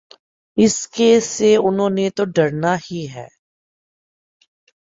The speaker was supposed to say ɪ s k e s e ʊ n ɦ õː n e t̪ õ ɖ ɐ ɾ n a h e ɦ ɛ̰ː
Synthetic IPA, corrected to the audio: ɪ s k e s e ʊ n ɦ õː n e t̪ o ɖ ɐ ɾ n a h i ɦ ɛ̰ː